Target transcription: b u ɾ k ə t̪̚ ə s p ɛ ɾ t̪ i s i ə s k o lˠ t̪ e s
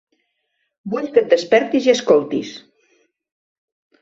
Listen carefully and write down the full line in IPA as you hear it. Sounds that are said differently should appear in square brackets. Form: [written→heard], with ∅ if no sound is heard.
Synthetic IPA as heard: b u [ɾ→ʎ] k ə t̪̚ ə s p ɛ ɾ t̪ i [s→z] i ə s k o lˠ t̪ [e→i] s